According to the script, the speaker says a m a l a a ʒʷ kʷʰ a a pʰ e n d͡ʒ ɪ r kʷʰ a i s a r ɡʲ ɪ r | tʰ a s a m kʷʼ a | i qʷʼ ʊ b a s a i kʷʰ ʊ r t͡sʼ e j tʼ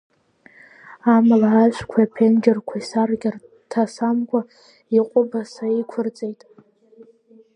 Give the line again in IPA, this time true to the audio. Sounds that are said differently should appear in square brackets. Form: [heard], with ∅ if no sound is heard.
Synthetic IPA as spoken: a m a l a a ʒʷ kʷʰ a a pʰ e n d͡ʒ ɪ r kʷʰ a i s a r ɡʲ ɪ r | tʰ a s a m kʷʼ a | i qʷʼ ʊ b a s a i kʷʰ ʊ r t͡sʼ e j tʼ